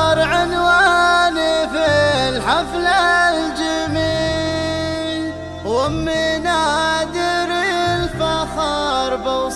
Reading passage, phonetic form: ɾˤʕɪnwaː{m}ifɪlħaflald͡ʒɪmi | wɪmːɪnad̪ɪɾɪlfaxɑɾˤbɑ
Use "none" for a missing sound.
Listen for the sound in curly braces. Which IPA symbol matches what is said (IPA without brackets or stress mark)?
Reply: n